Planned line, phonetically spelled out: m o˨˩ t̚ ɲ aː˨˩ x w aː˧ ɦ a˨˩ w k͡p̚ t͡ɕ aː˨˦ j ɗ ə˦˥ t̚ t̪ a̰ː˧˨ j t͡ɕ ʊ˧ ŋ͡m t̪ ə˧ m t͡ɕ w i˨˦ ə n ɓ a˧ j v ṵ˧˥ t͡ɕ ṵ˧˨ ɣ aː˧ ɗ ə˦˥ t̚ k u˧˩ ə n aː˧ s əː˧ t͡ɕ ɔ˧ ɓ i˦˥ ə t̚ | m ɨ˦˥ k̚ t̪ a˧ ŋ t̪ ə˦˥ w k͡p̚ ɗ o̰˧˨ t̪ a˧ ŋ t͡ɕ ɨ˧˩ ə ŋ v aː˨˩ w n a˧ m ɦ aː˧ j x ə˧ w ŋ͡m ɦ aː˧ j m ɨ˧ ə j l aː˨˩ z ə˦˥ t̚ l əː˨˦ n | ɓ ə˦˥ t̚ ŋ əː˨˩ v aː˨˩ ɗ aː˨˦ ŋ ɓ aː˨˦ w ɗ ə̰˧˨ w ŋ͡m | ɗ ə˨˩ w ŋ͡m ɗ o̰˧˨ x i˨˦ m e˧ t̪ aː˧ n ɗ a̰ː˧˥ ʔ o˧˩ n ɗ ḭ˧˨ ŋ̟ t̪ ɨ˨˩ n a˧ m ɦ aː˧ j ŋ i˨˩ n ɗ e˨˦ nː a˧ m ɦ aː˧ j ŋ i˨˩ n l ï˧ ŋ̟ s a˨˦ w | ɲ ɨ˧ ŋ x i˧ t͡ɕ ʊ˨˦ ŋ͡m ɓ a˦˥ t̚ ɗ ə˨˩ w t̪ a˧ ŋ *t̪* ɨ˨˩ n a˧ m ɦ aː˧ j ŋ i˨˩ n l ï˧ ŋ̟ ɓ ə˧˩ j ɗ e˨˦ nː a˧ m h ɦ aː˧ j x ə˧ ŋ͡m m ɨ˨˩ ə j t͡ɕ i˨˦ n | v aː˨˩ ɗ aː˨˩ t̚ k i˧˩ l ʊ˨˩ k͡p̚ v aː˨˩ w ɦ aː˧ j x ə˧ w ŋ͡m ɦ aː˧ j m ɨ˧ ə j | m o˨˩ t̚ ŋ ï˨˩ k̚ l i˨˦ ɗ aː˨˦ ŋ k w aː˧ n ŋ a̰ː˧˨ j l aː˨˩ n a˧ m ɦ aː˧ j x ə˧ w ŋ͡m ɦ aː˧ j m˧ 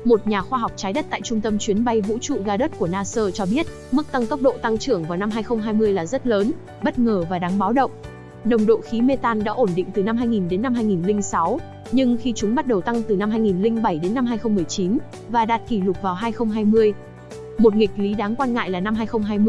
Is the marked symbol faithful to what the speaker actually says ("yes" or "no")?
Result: yes